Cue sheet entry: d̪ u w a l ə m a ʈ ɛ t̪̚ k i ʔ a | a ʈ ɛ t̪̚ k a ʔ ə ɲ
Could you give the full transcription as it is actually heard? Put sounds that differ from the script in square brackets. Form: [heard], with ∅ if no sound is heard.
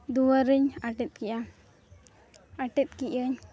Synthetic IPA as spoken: d̪ u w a [ɾ] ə [ɲ] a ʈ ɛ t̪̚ k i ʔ a | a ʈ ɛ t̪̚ k [i] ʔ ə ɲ